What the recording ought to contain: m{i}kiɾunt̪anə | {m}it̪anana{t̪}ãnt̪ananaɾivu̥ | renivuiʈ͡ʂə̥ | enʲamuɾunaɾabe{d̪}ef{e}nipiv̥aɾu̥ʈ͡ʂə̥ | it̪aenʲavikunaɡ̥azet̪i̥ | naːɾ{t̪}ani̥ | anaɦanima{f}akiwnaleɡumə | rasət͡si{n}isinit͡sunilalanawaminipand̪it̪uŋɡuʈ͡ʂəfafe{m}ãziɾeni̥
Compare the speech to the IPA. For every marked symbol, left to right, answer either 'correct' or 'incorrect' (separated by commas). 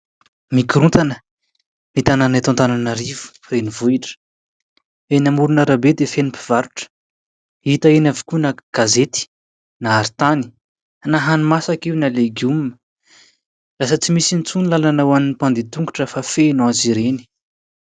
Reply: correct, correct, correct, correct, correct, correct, incorrect, incorrect, incorrect